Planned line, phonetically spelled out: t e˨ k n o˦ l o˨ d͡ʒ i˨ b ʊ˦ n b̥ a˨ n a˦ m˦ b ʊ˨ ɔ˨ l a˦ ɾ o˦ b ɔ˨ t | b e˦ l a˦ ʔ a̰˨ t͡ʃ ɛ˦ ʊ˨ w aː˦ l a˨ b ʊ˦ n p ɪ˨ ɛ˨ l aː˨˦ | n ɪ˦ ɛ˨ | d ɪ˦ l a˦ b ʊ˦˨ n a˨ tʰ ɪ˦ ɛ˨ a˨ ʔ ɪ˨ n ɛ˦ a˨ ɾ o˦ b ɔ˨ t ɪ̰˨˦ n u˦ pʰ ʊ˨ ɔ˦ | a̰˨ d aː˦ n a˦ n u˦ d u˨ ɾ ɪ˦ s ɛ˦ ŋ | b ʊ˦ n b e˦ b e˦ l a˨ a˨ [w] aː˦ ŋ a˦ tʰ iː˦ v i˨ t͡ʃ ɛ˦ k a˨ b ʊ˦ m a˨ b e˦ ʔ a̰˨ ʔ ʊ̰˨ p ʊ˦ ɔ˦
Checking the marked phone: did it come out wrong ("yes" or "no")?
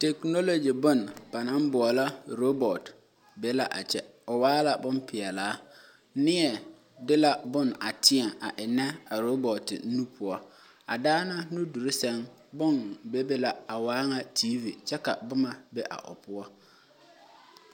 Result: no